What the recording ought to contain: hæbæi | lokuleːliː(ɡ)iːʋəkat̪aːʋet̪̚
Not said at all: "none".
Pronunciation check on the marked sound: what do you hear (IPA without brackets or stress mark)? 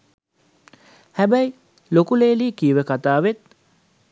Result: k